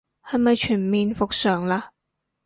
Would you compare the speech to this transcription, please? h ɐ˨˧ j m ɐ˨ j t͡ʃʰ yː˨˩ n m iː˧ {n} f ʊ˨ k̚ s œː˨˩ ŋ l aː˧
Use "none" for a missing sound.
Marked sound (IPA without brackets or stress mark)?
n